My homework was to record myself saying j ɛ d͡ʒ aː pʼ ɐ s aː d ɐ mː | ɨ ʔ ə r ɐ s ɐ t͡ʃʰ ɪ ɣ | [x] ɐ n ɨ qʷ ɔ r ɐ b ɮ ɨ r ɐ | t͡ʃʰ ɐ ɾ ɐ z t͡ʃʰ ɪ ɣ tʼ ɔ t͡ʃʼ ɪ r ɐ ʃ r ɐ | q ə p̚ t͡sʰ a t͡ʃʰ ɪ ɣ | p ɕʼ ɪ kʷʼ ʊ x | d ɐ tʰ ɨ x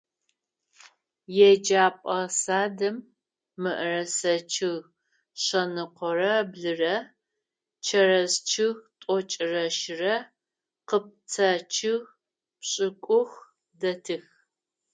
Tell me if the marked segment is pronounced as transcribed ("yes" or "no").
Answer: no